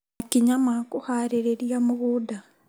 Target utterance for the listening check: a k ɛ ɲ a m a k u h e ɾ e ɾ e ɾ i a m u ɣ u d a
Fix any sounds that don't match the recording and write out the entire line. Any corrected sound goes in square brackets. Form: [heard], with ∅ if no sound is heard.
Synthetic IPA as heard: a k [i] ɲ a m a k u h [a] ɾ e ɾ e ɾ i a m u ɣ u d a